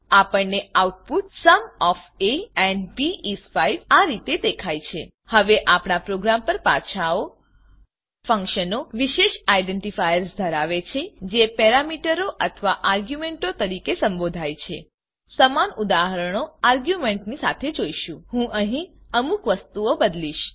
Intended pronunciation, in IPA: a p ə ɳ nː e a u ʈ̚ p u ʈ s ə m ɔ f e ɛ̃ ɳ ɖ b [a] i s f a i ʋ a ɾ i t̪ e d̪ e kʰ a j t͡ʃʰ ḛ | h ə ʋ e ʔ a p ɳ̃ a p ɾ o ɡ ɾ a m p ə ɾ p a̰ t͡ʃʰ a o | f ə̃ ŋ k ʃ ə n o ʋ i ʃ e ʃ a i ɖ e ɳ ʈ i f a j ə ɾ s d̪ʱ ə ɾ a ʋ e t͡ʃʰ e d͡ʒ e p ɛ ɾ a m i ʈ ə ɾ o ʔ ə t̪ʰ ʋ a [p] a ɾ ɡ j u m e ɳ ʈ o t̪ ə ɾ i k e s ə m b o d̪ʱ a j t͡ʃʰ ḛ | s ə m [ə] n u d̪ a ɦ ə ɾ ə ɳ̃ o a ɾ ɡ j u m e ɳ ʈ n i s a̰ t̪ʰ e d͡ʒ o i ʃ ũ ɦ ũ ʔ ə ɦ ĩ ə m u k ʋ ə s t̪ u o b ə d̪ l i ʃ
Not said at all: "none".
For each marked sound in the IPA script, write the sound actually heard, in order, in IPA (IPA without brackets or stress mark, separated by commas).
i, ʔ, a